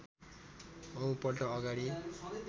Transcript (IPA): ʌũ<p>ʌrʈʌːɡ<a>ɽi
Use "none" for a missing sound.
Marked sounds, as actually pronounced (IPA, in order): p, a

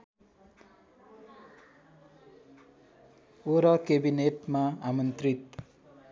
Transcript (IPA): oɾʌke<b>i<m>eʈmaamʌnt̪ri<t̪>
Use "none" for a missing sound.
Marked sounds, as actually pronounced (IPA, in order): b, n, t̪

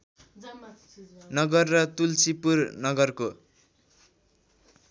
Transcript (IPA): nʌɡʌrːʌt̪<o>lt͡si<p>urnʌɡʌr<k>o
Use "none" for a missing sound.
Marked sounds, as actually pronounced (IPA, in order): u, p, k

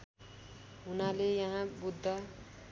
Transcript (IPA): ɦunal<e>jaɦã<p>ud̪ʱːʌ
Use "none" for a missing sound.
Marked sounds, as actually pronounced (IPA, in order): e, b

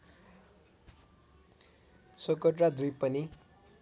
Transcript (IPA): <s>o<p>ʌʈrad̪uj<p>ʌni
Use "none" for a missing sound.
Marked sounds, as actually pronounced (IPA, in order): s, k, p

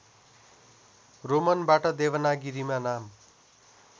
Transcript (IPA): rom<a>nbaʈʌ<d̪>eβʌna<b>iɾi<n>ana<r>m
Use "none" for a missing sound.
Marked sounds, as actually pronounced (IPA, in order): ʌ, d̪, ɡ, m, none

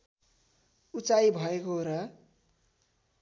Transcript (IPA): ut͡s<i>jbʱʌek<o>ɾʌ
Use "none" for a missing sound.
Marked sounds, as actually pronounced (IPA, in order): a, o

